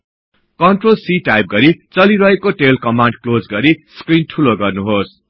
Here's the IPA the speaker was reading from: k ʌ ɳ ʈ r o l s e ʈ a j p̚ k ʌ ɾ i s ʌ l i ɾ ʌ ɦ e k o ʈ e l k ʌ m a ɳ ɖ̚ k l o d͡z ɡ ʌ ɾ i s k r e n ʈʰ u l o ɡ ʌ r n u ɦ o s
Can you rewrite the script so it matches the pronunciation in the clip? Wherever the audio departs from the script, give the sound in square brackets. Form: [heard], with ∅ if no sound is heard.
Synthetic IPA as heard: k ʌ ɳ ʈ r o l s [i] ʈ a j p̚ [ɡ] ʌ ɾ i [t͡s] ʌ l i ɾ ʌ ɦ e k o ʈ e l k ʌ m a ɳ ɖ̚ k l o d͡z ɡ ʌ ɾ i s k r [i] n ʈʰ u l o ɡ ʌ r n u ɦ o s